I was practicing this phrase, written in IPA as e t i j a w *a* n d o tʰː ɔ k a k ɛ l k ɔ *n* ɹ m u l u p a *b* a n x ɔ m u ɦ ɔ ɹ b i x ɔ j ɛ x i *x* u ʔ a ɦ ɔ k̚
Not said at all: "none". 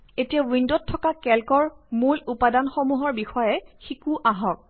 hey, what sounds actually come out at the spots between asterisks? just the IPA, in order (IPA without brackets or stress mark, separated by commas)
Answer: i, none, d, k